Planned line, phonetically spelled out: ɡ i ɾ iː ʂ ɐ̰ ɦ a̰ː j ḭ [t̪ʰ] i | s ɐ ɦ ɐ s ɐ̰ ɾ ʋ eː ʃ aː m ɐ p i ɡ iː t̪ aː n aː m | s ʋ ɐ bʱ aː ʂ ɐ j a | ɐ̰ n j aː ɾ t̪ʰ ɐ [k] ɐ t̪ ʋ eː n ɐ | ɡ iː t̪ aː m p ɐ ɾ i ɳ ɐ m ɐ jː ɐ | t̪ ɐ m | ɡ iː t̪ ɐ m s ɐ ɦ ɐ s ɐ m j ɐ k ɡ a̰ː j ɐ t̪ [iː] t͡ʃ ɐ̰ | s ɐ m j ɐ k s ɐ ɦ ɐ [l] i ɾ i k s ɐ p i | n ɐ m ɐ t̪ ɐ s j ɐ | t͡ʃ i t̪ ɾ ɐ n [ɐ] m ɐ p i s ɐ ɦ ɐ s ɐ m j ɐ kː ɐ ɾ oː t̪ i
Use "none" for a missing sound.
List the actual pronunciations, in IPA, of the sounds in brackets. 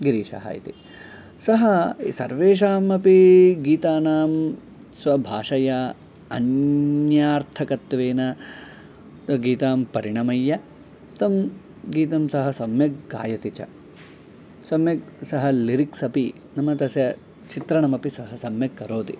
t̪, k, i, l, ɐ

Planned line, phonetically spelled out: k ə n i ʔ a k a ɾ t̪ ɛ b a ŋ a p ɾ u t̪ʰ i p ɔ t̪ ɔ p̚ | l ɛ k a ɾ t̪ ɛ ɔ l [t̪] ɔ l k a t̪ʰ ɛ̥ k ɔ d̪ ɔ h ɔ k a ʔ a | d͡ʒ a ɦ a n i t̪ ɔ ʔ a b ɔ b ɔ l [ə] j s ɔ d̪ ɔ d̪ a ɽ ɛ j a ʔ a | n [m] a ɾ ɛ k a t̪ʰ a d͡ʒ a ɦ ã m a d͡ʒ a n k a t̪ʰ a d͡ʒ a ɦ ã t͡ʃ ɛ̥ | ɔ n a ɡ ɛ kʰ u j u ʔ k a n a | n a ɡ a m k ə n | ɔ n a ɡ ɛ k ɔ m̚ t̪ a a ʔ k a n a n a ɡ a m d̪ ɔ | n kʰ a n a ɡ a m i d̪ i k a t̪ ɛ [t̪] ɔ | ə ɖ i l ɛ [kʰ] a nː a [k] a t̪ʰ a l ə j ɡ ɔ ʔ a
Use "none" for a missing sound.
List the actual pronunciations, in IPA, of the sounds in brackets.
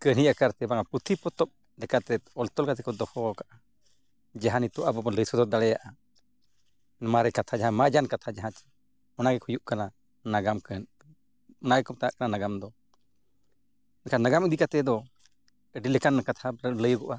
t̪, ə, m, d̪, k, k

